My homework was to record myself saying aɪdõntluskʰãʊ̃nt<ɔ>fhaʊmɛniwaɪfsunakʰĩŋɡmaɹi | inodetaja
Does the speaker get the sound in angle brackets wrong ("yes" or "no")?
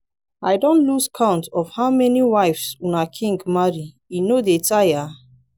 no